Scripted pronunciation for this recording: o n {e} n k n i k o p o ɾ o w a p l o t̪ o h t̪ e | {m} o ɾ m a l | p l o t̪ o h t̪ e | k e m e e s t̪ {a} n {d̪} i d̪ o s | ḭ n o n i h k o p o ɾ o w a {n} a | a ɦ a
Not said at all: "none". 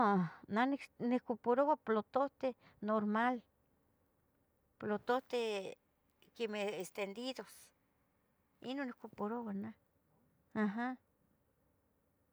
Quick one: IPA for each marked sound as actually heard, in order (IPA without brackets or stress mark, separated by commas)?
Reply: a, n, e, d̪, n